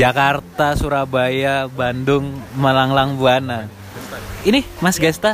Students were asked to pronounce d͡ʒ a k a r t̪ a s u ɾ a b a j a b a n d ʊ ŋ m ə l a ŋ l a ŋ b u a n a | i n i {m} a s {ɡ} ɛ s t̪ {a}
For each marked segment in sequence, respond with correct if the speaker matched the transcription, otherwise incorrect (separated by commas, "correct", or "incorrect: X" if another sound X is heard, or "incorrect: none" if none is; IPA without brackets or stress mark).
correct, correct, correct